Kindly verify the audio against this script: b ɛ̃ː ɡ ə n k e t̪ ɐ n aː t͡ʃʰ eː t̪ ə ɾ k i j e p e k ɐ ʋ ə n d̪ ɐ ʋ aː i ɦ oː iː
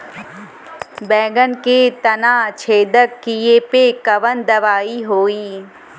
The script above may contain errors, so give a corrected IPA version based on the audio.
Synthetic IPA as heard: b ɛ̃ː ɡ ə n k e t̪ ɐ n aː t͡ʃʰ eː d̪ ə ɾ k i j e p e k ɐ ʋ ə n d̪ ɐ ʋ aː i ɦ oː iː